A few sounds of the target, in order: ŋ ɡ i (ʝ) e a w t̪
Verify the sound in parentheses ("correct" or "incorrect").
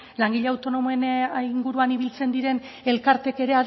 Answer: incorrect